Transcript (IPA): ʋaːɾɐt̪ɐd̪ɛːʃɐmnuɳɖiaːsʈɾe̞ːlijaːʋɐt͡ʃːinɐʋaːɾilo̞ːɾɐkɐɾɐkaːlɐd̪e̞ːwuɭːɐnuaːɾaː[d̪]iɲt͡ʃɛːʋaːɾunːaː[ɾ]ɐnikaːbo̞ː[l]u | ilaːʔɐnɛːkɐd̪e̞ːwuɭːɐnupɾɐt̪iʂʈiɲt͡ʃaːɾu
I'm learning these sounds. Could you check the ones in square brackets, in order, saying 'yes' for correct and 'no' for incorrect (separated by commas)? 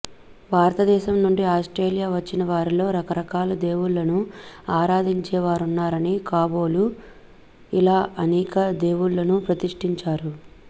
yes, yes, yes